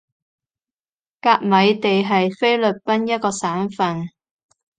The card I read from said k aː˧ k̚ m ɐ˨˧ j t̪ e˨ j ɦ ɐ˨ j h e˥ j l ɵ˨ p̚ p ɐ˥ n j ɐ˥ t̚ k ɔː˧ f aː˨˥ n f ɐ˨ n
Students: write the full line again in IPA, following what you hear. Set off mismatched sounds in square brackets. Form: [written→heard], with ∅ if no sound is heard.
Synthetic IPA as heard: k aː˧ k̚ m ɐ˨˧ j t̪ e˨ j ɦ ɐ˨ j [h→f] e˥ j l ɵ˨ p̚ p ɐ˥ n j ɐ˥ t̚ k ɔː˧ [f→s] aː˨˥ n f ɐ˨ n